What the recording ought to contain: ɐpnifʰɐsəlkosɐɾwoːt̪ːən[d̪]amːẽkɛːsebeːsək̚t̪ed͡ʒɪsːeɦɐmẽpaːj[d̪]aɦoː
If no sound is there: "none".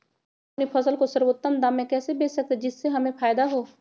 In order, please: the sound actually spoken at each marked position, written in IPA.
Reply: d̪, d̪

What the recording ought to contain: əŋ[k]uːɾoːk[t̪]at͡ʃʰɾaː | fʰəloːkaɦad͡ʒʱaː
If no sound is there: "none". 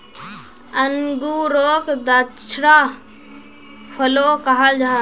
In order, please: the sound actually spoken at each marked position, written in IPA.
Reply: ɡ, d̪

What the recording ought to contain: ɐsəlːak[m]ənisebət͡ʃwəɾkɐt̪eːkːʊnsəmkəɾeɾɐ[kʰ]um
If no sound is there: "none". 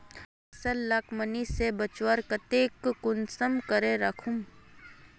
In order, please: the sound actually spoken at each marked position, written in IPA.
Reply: m, kʰ

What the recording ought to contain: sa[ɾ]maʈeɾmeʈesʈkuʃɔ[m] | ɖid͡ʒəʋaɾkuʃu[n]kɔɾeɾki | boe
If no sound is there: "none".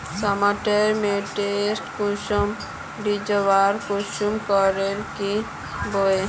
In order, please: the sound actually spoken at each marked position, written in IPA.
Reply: none, m, m

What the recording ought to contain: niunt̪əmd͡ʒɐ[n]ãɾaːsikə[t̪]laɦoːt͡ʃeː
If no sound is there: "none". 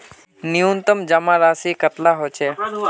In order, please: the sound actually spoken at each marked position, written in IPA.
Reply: m, t̪

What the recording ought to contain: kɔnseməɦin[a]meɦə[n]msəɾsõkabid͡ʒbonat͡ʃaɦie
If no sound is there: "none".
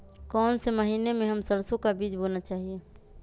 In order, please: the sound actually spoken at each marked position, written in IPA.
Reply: e, none

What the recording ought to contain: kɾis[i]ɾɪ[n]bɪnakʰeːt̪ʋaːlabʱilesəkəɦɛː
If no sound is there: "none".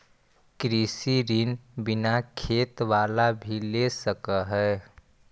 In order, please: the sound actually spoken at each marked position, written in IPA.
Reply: i, n

